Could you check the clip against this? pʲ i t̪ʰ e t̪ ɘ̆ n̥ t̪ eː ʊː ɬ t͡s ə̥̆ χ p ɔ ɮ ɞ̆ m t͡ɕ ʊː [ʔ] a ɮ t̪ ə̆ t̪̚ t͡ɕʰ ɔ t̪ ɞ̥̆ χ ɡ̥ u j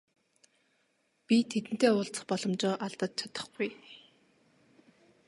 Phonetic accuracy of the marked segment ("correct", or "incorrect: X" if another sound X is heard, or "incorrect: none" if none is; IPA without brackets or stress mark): correct